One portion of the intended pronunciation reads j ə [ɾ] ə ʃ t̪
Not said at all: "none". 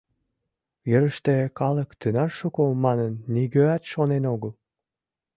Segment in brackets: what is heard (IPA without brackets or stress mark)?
ɾ